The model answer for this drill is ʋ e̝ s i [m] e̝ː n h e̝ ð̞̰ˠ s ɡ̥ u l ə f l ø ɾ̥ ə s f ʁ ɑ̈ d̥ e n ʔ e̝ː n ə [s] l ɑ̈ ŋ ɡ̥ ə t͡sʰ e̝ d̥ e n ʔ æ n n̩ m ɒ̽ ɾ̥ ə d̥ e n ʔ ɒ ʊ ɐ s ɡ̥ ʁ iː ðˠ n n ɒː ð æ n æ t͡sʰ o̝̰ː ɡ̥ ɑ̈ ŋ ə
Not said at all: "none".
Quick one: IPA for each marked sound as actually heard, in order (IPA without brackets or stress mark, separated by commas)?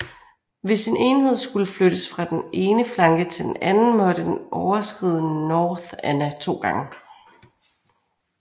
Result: n, f